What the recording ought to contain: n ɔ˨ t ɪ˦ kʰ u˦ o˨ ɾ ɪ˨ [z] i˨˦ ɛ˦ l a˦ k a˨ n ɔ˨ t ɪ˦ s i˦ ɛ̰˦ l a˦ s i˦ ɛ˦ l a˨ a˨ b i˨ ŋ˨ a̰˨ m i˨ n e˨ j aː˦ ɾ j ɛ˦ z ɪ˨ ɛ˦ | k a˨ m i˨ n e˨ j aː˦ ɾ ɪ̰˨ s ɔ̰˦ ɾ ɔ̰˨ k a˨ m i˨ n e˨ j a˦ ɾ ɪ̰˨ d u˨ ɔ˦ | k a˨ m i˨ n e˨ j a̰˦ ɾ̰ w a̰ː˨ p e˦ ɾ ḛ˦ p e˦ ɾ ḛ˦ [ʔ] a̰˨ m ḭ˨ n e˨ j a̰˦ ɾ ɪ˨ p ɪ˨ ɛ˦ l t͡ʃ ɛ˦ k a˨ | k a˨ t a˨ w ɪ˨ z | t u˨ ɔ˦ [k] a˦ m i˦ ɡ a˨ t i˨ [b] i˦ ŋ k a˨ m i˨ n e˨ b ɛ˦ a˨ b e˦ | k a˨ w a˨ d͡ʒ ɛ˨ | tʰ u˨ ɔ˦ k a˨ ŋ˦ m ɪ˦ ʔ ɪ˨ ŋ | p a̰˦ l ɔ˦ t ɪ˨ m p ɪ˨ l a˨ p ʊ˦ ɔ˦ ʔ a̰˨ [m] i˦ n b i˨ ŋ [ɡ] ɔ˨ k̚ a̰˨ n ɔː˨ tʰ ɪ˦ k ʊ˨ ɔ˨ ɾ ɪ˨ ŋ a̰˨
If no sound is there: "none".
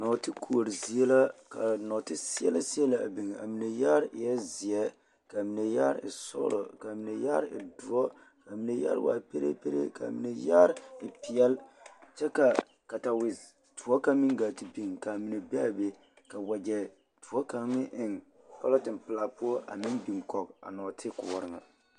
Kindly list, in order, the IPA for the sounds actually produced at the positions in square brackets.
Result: z, k, k, b, m, k

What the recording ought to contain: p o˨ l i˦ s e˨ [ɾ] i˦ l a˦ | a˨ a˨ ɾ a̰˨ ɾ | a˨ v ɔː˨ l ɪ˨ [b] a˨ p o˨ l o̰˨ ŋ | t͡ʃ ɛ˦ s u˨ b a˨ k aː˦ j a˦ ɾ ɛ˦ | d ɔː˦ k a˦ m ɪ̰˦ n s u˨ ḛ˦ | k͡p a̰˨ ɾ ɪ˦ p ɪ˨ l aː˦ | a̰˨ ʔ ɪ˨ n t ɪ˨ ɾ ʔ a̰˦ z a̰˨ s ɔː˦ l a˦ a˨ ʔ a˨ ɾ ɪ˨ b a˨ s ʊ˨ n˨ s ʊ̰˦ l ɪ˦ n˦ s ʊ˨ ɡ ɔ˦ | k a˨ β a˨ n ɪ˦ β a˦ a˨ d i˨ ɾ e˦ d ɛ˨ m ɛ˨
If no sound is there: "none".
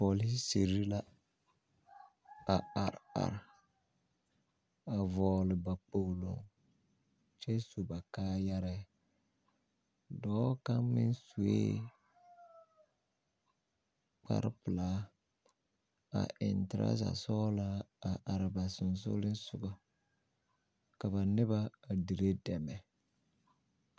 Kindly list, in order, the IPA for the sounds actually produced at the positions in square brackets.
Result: ɾ, b

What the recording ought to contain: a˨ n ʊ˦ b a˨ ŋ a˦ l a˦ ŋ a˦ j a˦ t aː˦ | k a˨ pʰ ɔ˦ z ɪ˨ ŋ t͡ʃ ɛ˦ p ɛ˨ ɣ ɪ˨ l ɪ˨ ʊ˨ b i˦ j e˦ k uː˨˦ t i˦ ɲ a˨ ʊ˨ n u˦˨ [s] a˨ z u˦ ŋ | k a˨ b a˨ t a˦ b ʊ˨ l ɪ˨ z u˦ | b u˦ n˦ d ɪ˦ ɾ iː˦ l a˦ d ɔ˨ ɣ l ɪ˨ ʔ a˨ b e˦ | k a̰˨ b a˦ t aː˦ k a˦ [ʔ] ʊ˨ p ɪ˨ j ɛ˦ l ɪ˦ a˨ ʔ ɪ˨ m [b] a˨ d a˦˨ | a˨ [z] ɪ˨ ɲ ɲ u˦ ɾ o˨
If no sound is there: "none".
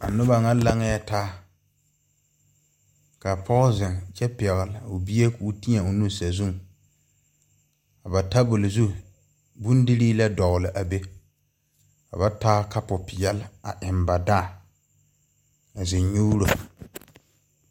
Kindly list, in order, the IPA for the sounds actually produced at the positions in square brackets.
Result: s, p, b, z

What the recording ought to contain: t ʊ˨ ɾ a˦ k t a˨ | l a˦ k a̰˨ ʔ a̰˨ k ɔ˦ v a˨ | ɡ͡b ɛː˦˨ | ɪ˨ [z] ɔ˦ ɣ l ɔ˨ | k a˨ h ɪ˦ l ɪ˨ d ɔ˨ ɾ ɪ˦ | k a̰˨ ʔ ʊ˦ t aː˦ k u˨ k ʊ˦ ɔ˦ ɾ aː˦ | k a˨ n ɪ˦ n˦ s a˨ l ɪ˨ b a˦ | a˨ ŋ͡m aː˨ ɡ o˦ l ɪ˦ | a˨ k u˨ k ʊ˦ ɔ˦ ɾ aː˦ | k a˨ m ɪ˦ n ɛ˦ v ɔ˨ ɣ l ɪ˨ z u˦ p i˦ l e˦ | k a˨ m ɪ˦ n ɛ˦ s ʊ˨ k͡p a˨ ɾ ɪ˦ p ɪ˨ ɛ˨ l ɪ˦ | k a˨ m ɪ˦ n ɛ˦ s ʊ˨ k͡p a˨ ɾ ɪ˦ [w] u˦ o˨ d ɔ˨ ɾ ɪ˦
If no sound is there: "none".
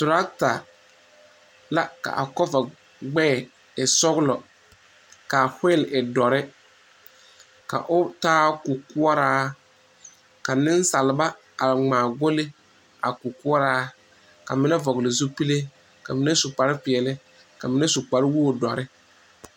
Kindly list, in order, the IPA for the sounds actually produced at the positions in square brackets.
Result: s, w

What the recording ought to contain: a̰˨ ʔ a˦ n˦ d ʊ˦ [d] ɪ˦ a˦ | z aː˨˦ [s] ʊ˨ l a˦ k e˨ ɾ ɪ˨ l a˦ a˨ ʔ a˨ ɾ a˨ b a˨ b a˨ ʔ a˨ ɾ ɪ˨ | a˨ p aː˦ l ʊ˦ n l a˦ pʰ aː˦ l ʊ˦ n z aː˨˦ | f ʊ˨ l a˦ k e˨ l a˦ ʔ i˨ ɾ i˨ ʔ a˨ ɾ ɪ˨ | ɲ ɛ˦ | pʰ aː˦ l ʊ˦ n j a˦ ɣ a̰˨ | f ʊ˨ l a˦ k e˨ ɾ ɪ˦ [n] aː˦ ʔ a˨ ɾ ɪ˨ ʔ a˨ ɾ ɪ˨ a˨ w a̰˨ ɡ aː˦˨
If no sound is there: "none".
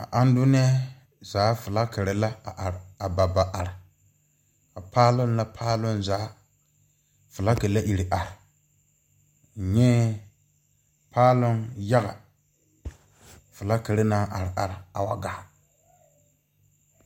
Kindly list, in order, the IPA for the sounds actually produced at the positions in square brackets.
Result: n, f, n

